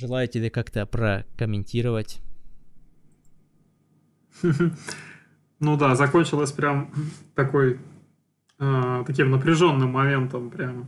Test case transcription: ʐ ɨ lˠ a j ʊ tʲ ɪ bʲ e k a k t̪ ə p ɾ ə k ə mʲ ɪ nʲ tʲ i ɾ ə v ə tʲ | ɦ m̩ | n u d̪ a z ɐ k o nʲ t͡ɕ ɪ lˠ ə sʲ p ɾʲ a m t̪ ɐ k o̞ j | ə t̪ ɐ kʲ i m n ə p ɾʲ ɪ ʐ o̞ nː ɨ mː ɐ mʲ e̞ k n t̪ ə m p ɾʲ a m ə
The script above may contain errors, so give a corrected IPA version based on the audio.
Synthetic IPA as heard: ʐ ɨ lˠ a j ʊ tʲ ɪ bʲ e k a k t̪ ə p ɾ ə k ə mʲ ɪ nʲ tʲ i ɾ ə v ə tʲ | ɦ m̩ | n u d̪ a z ɐ k o nʲ t͡ɕ ɪ lˠ ə sʲ p ɾʲ a m t̪ ɐ k o̞ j | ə t̪ ɐ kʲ i m n ə p ɾʲ ɪ ʐ o̞ nː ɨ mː ɐ mʲ e̞ n t̪ ə m p ɾʲ a m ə